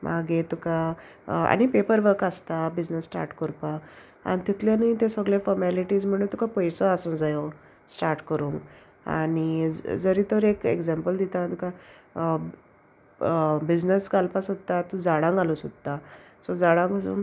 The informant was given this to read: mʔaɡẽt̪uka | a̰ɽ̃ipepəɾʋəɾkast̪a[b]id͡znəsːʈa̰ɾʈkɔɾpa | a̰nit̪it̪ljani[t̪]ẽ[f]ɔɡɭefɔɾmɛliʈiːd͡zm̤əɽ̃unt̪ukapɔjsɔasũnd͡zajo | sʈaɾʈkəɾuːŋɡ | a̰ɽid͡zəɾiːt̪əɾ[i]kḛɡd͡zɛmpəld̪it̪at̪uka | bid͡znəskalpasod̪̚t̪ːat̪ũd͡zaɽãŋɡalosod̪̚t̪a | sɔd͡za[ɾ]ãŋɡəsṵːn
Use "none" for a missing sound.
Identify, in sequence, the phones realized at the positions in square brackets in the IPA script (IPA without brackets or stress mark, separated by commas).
b, t̪, s, e, ɽ